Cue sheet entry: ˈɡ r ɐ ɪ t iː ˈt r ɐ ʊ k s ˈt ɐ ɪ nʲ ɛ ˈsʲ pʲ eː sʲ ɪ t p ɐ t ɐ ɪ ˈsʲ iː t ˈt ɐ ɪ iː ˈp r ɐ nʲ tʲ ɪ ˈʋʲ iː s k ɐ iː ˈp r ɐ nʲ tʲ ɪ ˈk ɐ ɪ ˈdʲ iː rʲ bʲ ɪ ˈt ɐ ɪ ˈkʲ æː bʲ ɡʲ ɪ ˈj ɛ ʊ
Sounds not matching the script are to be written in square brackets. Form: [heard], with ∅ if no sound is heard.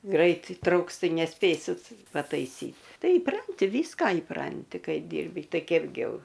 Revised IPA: ˈɡ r ɐ ɪ t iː ˈt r ɐ ʊ k s ˈt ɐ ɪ nʲ ɛ ˈsʲ pʲ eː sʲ ɪ t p ɐ t ɐ ɪ ˈsʲ iː t ˈt ɐ ɪ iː ˈp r ɐ nʲ tʲ ɪ ˈʋʲ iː s k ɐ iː ˈp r ɐ nʲ tʲ ɪ ˈk ɐ ɪ ˈdʲ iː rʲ bʲ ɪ ˈt ɐ ɪ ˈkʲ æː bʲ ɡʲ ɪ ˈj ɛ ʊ